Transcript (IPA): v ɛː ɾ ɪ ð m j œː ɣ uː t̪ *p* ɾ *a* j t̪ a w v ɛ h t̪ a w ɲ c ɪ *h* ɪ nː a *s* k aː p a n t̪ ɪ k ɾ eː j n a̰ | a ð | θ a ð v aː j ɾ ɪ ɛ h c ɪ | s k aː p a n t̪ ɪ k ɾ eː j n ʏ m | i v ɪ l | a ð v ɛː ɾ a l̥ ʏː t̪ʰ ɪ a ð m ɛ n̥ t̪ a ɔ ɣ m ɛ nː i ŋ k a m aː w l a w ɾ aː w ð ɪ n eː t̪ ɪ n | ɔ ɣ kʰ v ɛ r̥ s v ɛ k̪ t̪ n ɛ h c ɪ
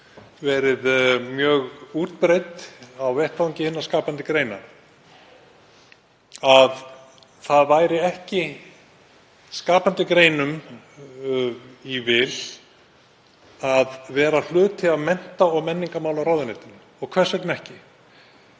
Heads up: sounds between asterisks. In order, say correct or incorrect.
correct, incorrect: e, correct, correct

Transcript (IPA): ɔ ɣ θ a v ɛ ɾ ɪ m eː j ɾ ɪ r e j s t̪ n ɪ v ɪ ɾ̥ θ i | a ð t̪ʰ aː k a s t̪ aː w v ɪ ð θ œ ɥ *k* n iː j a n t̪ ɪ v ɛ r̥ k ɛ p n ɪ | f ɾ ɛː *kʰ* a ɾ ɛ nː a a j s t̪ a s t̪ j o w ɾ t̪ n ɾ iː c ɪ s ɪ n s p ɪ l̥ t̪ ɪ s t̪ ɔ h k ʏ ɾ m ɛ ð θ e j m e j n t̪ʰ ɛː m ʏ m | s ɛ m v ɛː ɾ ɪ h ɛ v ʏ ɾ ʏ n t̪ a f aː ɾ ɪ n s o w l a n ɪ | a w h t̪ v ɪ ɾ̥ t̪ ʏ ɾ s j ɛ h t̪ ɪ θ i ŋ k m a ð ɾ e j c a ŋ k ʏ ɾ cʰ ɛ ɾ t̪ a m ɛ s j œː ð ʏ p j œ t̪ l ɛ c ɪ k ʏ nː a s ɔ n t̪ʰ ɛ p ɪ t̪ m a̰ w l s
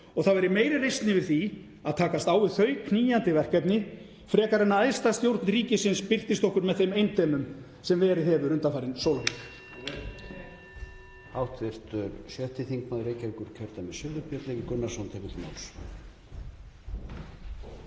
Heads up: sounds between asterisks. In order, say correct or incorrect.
incorrect: kʰ, incorrect: k

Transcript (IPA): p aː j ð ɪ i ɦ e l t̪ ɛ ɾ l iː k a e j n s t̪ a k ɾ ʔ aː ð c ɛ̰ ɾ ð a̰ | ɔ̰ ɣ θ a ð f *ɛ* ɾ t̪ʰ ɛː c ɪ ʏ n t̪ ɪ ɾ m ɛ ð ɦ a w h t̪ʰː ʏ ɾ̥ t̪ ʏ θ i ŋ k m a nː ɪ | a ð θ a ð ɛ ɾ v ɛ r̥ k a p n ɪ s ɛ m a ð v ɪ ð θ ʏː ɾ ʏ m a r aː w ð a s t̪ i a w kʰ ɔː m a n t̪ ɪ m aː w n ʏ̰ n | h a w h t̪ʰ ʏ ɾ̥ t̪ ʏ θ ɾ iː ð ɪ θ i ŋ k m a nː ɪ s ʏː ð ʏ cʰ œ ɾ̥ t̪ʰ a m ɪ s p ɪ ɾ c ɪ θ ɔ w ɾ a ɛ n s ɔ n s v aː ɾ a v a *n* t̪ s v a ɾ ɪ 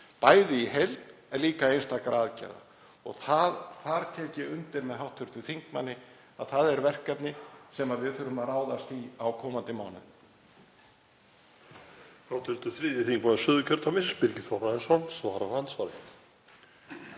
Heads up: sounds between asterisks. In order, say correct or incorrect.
incorrect: a, correct

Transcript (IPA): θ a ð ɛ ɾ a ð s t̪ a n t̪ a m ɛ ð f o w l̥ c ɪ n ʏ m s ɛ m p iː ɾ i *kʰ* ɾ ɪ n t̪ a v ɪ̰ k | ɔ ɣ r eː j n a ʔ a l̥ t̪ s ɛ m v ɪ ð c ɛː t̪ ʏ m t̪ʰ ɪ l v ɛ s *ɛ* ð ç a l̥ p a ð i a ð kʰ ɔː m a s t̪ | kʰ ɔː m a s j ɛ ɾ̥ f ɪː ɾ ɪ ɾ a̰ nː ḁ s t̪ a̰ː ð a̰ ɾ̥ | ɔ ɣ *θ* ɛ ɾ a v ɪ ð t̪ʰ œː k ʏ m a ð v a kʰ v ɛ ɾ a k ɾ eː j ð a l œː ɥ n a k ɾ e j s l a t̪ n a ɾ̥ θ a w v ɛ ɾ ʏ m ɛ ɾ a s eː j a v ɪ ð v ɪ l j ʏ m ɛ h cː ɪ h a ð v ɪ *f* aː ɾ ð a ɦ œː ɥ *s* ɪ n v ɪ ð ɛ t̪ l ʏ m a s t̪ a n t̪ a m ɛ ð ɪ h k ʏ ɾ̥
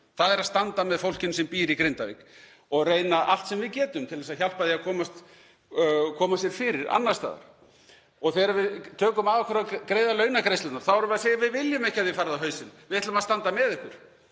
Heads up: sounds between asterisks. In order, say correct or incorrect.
incorrect: k, incorrect: a, correct, correct, correct

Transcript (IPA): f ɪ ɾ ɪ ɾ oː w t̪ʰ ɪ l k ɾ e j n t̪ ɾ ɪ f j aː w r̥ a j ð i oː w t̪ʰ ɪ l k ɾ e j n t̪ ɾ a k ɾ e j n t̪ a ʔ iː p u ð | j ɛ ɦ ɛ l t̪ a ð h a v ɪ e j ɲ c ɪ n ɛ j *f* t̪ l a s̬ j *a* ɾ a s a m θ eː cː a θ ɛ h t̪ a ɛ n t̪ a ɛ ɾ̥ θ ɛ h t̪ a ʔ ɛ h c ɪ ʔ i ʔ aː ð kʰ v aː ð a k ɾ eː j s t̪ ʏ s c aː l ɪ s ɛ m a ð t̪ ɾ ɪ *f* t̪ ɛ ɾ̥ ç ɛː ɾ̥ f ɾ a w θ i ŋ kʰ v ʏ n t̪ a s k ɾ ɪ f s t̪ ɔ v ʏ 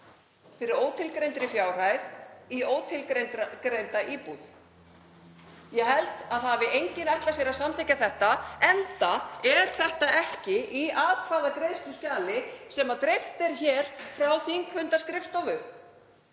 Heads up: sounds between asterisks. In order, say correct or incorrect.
incorrect: h, incorrect: ɛ, correct

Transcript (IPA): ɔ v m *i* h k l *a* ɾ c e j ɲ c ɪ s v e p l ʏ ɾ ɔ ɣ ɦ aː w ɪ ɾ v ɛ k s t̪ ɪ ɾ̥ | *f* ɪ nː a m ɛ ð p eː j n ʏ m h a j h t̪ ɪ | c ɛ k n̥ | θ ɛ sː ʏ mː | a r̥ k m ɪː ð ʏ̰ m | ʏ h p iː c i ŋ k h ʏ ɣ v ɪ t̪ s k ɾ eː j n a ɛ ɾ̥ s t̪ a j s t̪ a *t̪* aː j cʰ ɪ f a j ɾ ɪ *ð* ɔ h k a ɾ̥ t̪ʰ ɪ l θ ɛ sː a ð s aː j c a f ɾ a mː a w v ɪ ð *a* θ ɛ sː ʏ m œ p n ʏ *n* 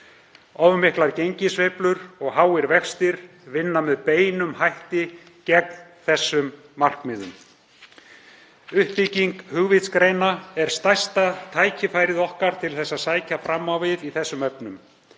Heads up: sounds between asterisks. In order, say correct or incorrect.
incorrect: ɪ, correct, incorrect: v, incorrect: t̪ʰ, correct, incorrect: i, incorrect: m

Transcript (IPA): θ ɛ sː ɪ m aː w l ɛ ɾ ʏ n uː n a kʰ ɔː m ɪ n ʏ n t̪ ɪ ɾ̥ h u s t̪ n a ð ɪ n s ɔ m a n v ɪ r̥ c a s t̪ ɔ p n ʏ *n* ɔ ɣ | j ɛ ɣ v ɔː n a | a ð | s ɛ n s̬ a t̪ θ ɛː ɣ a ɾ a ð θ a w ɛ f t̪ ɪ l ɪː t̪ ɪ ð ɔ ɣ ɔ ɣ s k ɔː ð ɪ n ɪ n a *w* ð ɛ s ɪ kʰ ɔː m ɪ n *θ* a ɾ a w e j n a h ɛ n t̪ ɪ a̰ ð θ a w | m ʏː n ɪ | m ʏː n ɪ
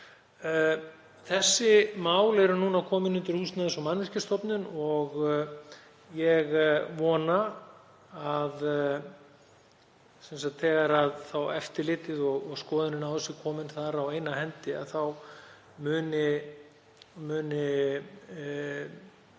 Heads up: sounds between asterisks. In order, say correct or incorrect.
correct, correct, correct

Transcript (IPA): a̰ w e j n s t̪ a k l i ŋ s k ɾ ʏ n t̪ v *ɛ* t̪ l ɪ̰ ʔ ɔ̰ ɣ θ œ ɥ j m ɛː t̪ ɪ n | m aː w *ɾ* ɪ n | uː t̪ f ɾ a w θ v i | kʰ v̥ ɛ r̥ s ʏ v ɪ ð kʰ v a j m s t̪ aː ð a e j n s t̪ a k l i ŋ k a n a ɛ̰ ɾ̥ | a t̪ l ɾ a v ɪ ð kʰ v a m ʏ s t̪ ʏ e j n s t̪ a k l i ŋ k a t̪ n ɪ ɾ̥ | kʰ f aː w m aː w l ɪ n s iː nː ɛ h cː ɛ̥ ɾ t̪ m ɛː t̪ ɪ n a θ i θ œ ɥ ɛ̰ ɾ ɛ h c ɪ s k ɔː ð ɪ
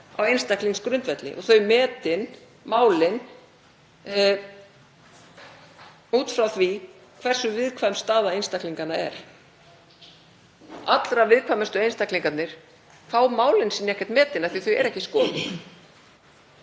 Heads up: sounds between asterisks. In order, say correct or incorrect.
correct, incorrect: l

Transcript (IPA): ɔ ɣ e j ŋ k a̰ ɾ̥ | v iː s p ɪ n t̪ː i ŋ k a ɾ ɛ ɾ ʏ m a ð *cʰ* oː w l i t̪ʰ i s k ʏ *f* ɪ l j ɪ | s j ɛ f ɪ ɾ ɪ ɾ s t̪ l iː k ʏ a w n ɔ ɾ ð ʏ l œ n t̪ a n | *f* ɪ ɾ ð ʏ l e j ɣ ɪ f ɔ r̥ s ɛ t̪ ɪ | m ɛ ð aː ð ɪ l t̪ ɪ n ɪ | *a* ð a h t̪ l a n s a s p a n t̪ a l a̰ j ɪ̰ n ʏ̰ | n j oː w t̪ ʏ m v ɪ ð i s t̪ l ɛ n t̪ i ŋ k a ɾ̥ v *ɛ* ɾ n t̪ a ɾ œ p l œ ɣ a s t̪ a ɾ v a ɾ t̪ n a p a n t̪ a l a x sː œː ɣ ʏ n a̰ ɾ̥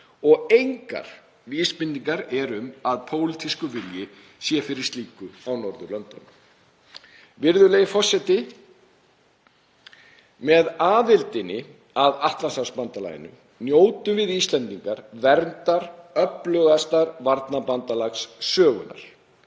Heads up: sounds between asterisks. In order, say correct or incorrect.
incorrect: pʰ, incorrect: v, incorrect: v, correct, correct

